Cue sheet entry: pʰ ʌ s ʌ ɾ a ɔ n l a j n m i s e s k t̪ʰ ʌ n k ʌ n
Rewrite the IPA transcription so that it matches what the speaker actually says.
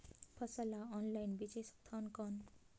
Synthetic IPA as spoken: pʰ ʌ s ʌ l a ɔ n l a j n b i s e s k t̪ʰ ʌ n k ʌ n